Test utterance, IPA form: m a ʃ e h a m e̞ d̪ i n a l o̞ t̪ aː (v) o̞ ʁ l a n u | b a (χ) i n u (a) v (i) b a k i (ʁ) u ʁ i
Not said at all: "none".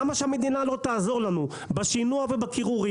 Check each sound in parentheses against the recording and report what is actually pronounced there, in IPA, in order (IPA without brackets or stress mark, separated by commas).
z, ʃ, a, e, ʁ